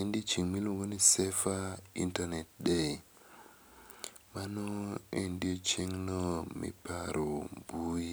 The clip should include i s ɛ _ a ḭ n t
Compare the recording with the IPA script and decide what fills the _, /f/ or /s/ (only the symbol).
f